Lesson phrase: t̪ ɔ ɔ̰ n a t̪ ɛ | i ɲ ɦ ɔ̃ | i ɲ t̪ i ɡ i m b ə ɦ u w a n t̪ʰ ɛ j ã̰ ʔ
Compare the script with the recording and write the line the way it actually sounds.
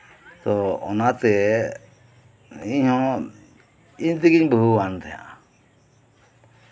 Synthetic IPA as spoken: t̪ ɔ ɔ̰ n a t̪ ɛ | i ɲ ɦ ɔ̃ | i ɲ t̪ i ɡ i ɲ b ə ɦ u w a n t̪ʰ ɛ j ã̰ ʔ